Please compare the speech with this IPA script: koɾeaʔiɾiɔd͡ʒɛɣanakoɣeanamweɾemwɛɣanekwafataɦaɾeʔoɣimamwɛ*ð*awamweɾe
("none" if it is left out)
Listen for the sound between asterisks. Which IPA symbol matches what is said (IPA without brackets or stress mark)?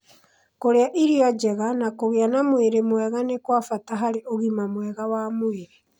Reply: ɣ